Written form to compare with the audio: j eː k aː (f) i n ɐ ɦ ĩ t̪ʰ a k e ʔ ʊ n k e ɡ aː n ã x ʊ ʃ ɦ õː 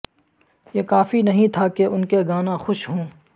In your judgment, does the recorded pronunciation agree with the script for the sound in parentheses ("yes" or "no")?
yes